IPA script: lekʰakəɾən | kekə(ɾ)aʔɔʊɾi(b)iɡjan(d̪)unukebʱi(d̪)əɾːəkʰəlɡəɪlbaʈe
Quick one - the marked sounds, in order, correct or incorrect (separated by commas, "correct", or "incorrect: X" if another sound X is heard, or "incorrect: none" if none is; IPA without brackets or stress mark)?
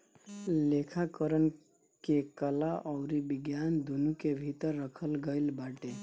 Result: incorrect: l, correct, correct, incorrect: t̪